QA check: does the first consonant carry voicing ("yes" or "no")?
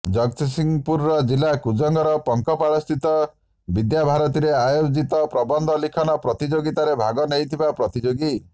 yes